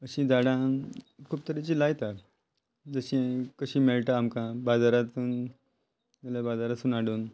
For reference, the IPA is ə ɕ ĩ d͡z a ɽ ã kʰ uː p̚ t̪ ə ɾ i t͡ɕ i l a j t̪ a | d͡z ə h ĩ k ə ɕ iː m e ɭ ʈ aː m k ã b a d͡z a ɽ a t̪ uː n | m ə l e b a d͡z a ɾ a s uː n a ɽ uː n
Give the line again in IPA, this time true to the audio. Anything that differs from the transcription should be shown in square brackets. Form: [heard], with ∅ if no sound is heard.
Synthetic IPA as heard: ə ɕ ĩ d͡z a ɽ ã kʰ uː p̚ t̪ ə ɾ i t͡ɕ i l a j t̪ a | d͡z ə [ɕ] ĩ k ə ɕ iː m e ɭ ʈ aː m k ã b a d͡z a [ɾ] a t̪ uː n | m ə l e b a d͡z a ɾ a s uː n a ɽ uː n